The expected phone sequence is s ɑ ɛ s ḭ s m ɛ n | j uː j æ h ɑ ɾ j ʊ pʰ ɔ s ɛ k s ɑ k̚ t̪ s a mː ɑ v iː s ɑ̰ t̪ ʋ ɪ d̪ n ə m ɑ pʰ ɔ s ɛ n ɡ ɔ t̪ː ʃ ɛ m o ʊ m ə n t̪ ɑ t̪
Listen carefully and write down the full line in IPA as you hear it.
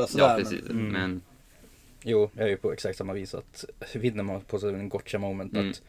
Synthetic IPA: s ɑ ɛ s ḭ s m ɛ n | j uː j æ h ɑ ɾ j ʊ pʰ ɔ ɛ k s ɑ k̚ t̪ s ɑ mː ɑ ʋ iː s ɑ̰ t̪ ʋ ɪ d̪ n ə m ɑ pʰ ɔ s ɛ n ɡ ɔ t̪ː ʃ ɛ m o ʊ m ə n t̪ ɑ t̪